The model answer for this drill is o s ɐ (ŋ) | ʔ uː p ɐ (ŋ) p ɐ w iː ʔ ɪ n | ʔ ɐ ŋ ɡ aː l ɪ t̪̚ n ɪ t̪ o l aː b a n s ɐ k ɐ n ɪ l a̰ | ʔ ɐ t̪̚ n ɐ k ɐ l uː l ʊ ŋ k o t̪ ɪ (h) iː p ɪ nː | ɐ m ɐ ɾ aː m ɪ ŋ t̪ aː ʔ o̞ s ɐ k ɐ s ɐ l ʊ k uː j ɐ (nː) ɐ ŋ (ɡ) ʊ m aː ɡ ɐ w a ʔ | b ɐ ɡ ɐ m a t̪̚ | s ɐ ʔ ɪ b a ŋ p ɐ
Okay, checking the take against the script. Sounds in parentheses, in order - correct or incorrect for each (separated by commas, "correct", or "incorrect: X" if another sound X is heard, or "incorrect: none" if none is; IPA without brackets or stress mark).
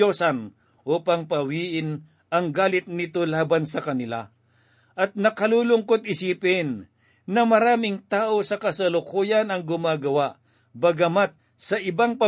incorrect: n, correct, incorrect: s, incorrect: n, correct